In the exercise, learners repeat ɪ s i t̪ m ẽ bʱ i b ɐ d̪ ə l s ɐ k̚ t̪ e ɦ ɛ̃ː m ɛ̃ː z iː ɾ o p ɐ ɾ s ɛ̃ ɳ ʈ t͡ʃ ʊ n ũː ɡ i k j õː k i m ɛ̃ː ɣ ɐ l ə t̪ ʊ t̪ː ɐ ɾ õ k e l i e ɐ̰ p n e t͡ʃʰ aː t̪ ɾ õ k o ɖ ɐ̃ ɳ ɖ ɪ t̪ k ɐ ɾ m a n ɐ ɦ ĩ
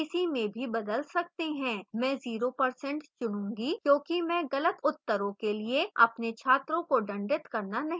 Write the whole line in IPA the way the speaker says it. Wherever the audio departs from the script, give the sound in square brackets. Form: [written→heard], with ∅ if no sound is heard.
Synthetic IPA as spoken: ɪ s i [t̪→∅] m ẽ bʱ i b ɐ d̪ ə l s ɐ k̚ t̪ e ɦ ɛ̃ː m ɛ̃ː z iː ɾ o p ɐ ɾ s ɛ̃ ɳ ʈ t͡ʃ ʊ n ũː ɡ i k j õː k i m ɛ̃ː ɣ ɐ l ə t̪ ʊ t̪ː [ɐ→ə] ɾ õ k e l i e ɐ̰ p n e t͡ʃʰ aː t̪ ɾ õ k o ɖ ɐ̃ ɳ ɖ ɪ t̪ k ɐ ɾ [m→n] a n ɐ ɦ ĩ